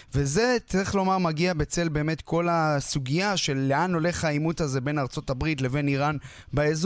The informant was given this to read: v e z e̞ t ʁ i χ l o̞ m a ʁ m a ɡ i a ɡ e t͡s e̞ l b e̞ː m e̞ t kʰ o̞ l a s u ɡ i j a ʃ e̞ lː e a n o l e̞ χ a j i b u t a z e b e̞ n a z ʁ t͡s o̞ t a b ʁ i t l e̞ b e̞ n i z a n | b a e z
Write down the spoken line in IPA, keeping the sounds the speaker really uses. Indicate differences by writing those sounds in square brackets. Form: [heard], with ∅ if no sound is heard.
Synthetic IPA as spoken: v e z e̞ [t͡s] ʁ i χ l o̞ m a ʁ m a ɡ i a [b] e t͡s e̞ l b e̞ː m e̞ t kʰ o̞ l a s u ɡ i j a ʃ e̞ lː e a n o l e̞ χ a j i [m] u t a z e b e̞ n a [∅] ʁ t͡s o̞ t a b ʁ i t l e̞ [v] e̞ n i [ʁ] a n | b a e z